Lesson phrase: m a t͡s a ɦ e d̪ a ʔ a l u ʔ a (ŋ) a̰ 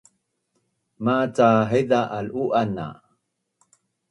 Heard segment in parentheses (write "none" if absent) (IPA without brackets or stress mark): n